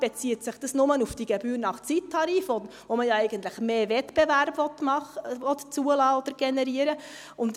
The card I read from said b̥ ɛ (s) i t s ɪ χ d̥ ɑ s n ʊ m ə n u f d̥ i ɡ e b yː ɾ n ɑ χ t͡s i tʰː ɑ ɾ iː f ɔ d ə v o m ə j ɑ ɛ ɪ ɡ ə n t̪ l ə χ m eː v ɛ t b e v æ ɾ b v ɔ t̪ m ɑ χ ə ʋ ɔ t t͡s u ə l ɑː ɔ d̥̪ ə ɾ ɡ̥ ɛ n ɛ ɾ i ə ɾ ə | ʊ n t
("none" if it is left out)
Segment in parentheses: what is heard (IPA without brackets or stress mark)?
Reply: t͡s